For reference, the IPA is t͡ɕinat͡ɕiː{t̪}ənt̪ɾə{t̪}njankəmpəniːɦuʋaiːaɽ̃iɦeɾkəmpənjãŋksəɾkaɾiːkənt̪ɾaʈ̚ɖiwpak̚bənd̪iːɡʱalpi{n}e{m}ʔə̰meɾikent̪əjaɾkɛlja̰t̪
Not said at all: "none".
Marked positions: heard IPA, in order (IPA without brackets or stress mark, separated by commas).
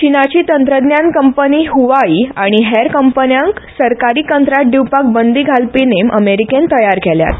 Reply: t̪, d̪, n, m